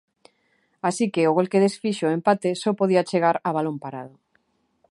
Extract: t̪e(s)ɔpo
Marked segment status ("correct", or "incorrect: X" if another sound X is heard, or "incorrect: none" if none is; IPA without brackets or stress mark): correct